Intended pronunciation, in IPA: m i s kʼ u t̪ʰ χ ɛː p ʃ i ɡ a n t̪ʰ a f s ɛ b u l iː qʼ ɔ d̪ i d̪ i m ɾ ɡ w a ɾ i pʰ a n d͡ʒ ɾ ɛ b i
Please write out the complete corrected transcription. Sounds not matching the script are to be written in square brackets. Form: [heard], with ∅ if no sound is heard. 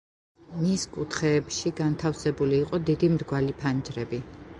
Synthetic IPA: m i s kʼ u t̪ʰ χ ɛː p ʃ i ɡ a n t̪ʰ a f s ɛ b u l iː qʼ ɔ d̪ i d̪ i m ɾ ɡ w a [l] i pʰ a n d͡ʒ ɾ ɛ b i